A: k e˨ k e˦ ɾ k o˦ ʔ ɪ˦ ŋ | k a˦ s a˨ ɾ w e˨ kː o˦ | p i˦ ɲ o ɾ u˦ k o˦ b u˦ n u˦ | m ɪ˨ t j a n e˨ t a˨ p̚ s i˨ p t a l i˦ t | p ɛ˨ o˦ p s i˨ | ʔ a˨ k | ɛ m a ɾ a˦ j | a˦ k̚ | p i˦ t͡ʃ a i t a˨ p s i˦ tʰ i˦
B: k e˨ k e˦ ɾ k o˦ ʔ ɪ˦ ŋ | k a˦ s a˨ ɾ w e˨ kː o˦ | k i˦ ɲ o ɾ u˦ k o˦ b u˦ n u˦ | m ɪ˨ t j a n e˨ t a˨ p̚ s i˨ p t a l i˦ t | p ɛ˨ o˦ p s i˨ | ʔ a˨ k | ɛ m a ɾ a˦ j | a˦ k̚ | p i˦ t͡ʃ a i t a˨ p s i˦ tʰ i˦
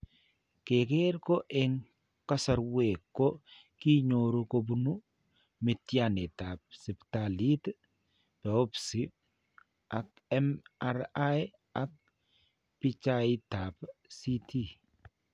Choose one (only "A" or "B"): B